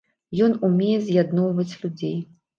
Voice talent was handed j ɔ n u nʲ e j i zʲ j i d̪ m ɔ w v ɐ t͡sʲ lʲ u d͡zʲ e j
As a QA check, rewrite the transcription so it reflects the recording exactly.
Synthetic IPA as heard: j ɔ n u mʲ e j ɛ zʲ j a d̪ n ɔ w v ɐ t͡sʲ lʲ u d͡zʲ e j